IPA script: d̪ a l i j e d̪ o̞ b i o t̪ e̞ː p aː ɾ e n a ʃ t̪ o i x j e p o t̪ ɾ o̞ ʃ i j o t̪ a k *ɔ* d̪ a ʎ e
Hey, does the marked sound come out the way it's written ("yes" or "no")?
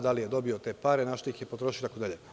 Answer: no